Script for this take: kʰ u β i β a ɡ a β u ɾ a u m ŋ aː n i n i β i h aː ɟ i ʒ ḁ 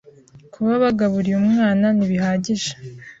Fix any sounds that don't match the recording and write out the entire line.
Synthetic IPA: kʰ u β a β a ɡ a β u ɾ i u m ŋ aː n a n i β i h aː ɟ i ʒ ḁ